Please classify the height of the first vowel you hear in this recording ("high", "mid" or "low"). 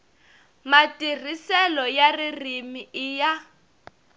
low